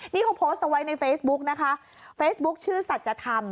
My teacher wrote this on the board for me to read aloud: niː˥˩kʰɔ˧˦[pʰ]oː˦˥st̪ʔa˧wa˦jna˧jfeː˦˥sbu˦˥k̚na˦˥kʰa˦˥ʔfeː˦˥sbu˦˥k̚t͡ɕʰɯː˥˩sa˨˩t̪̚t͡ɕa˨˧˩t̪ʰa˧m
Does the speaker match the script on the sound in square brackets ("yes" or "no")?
yes